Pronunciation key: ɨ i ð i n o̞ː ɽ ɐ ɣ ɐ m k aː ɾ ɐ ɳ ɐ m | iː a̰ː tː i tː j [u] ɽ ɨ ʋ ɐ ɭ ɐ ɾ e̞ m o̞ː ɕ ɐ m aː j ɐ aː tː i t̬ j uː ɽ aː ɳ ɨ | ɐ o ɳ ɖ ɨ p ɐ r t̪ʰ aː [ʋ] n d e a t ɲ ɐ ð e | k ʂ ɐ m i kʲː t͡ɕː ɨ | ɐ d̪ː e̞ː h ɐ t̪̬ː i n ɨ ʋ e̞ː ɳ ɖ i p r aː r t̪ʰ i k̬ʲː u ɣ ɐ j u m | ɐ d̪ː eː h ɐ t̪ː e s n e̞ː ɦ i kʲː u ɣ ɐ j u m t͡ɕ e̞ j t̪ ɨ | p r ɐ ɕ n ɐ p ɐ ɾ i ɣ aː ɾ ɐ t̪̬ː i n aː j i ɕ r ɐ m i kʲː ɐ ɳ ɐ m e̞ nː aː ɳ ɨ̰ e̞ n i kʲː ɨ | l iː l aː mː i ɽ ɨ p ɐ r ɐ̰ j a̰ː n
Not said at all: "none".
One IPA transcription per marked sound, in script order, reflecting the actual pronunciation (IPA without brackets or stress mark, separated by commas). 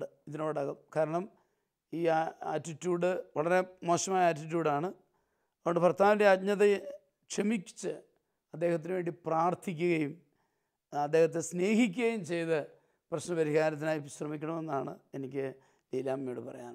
uː, ʋ